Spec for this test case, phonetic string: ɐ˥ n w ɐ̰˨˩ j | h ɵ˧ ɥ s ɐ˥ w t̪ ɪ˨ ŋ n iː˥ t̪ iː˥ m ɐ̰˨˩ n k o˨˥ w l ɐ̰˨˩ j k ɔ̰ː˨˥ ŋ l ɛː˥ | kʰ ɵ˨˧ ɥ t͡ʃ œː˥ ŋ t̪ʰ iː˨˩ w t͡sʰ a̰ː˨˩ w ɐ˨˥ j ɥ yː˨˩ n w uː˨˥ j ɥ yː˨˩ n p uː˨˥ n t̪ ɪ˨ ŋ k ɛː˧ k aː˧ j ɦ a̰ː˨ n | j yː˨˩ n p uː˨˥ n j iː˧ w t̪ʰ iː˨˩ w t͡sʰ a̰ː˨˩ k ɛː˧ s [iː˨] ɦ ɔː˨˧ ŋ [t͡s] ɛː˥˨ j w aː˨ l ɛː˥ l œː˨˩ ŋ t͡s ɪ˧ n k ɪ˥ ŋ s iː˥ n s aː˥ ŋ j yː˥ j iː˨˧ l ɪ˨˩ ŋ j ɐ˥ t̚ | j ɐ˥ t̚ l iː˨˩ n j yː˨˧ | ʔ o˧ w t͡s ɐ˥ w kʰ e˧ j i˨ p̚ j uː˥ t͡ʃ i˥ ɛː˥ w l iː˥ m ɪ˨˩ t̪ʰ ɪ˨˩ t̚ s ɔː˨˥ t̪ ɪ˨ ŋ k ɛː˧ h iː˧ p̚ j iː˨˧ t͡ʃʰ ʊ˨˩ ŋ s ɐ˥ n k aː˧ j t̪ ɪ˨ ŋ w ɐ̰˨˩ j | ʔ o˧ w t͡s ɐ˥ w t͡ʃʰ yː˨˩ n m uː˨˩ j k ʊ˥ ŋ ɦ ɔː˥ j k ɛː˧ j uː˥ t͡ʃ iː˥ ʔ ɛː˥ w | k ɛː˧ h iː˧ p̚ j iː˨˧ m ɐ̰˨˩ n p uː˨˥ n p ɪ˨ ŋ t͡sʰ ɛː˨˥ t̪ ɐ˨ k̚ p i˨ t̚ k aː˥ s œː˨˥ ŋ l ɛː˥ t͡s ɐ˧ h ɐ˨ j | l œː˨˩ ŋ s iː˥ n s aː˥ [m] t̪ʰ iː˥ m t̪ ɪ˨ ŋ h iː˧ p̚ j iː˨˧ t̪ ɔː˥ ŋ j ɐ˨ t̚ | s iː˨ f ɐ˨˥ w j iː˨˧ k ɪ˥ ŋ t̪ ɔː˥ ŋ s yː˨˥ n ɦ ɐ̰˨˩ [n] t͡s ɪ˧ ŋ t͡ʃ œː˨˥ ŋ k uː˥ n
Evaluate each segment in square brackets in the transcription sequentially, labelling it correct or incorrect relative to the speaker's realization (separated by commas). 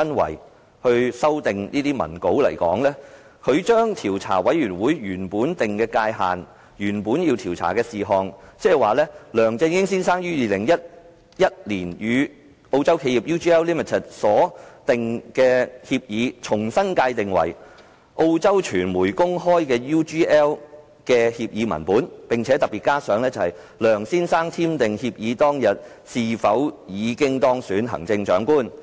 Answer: correct, correct, incorrect, incorrect